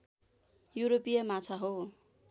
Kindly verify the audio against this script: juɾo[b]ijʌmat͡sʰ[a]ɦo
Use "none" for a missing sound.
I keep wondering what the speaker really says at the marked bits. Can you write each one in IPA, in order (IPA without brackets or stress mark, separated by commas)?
p, a